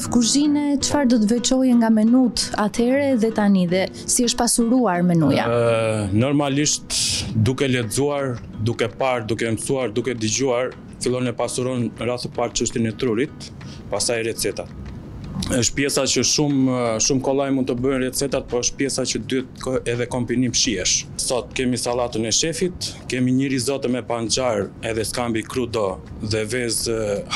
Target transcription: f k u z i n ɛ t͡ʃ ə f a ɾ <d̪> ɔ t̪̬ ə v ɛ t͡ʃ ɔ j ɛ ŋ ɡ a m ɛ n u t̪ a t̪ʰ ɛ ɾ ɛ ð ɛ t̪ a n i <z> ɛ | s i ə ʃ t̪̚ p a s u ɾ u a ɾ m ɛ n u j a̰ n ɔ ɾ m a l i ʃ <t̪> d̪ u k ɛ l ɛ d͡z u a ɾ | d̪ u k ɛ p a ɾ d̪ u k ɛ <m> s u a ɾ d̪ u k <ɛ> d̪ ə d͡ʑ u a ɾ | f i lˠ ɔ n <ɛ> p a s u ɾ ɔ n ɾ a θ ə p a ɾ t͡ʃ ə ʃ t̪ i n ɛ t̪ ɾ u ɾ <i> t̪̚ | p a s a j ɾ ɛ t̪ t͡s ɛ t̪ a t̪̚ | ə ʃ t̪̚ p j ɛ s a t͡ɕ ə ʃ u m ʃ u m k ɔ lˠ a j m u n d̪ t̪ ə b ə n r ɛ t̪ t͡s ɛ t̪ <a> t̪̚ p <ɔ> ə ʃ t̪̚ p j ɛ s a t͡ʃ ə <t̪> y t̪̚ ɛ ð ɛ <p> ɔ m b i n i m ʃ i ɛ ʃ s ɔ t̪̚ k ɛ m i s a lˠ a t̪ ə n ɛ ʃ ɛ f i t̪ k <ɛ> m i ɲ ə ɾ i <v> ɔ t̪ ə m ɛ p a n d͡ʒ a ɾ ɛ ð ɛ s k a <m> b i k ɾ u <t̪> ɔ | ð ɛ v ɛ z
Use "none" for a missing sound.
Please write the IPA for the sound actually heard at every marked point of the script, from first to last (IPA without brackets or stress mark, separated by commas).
d̪, ð, t̪, m, ɛ, ɛ, i, a, ɔ, d̪, k, ɛ, z, m, d̪